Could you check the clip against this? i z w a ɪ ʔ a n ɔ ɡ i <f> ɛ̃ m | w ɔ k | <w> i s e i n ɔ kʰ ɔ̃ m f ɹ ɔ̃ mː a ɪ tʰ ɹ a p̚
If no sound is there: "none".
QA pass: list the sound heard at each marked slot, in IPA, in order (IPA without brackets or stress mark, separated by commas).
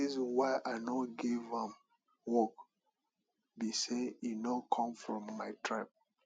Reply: v, b